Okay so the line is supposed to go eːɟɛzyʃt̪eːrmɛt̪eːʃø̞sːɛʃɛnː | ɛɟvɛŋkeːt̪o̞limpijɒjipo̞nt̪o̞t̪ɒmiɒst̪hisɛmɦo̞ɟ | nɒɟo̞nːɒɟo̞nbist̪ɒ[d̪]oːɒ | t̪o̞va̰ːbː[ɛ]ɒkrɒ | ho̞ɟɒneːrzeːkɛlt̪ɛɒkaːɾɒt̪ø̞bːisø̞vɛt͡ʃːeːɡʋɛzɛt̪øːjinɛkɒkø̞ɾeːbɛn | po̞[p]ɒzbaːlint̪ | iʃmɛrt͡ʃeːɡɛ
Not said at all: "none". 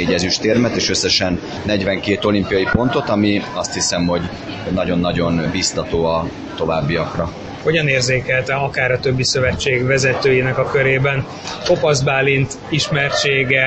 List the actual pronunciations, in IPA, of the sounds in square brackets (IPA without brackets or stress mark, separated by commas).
t̪, i, p